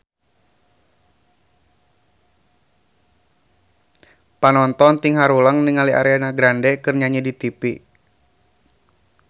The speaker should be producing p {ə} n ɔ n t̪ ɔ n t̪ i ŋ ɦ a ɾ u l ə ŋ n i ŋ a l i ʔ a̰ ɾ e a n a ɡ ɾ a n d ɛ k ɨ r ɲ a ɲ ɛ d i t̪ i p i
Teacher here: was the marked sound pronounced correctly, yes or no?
no